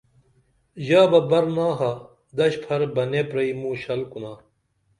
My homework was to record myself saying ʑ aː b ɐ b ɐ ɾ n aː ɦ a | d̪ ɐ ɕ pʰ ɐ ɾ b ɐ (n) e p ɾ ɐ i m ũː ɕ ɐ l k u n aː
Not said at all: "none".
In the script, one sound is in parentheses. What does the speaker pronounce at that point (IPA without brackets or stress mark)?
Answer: n